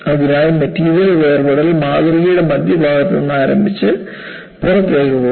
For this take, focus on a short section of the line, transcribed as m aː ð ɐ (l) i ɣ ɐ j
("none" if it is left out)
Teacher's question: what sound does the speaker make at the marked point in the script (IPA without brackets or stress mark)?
r